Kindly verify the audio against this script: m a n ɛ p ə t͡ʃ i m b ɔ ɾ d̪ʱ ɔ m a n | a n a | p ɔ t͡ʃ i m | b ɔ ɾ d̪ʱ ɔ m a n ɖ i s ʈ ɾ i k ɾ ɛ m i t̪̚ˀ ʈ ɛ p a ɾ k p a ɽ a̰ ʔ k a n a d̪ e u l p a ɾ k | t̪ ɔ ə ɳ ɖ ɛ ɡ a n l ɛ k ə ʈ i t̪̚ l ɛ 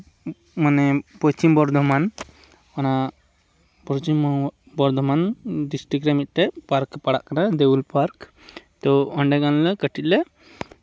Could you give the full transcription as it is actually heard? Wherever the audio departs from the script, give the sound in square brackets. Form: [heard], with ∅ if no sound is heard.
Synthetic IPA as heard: m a n ɛ p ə t͡ʃ i m b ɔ ɾ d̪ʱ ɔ m a n | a n a | p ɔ t͡ʃ i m | b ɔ ɾ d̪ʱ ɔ m a n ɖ i s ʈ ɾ i k ɾ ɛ m i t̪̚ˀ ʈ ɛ p a ɾ k p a ɽ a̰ ʔ k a n a d̪ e u l p a ɾ k | t̪ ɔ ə ɳ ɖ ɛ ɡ a n l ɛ k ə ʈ i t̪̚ l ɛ